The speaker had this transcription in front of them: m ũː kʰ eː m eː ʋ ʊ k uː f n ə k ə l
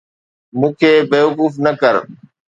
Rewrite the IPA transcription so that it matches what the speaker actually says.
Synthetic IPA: m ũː kʰ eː b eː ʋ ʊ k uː f n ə k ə ɾ

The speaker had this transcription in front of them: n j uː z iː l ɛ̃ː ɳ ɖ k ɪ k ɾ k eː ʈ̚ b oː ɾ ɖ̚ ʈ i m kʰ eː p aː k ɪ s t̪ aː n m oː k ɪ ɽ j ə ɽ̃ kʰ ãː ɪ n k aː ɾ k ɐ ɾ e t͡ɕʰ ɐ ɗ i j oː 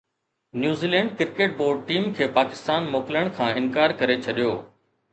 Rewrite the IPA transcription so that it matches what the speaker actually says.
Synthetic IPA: n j uː z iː l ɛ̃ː ɳ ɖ k ɪ ɾ k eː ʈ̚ b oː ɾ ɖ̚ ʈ iː m kʰ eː p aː k ɪ s t̪ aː n m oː k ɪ l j ə ɽ̃ kʰ ãː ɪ n k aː ɾ k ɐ ɾ e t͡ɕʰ ɐ ɗ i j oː

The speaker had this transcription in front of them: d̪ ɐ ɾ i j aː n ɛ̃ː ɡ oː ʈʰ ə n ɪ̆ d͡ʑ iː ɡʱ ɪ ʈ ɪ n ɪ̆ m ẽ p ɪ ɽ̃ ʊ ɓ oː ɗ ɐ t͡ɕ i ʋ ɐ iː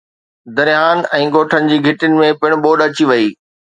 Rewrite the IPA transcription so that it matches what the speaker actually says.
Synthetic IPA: d̪ ɐ ɾ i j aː n ɛ̃ː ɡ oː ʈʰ ə n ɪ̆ d͡ʑ iː ɡʱ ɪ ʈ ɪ n ɪ̆ m ẽ p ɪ ɽ̃ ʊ ɓ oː ɗ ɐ t͡ɕ i ʋ ɐ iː

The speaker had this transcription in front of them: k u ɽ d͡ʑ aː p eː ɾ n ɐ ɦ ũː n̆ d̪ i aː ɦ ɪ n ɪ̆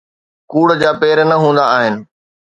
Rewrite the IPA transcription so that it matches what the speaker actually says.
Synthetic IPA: k uː ɽ d͡ʑ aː p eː ɾ n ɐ ɦ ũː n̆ d̪ a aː ɦ ɪ n ɪ̆

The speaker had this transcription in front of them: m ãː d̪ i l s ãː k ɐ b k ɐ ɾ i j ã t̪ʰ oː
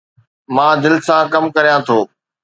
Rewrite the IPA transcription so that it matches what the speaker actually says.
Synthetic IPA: m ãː d̪ ɪ l s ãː k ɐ m k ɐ ɾ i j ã t̪ʰ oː

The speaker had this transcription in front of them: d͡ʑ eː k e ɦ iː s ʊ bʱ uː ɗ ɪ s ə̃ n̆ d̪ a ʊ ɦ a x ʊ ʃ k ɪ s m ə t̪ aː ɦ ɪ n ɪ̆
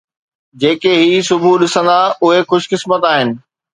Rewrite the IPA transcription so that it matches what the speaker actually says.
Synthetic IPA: d͡ʑ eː k e ɦ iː s ʊ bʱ u ɗ ɪ s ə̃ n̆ d̪ a ʊ ɦ e x ʊ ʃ k ɪ s m ə t̪ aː ɦ ɪ n ɪ̆

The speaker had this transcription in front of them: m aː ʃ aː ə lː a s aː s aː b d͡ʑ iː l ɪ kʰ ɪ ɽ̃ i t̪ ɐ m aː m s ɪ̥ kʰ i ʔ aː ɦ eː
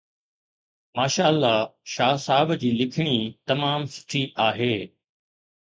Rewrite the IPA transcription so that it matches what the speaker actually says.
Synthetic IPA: m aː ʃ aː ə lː a ʃ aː s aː b d͡ʑ iː l ɪ kʰ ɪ ɽ̃ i t̪ ɐ m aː m s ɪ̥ ʈʰ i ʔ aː ɦ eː

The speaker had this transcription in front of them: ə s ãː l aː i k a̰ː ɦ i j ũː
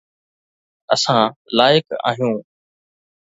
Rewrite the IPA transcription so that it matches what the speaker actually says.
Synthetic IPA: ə s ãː l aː ɪ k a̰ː ɦ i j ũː

